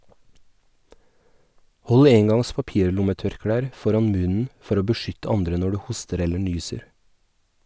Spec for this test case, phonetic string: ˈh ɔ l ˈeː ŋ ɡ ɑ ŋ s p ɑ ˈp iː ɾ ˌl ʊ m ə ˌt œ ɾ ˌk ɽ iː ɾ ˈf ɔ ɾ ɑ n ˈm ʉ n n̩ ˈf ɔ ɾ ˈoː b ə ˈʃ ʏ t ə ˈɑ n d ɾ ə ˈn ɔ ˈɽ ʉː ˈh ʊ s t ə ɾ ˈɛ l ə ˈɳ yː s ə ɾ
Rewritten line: ˈh ɔ l ˈeː ŋ ɡ ɑ ŋ s p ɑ ˈp iː ɾ ˌl ʊ m ə ˌt œ ɾ ˌk ɽ æː ɾ ˈf ɔ ɾ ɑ n ˈm ʉ n n̩ ˈf ɔ ɾ ˈoː b ə ˈʃ ʏ t ə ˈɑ n d ɾ ə ˈn ɔ ˈɽ ʉː ˈh ʊ s t ə ɾ ˈɛ l ə ˈɳ yː s ə ɾ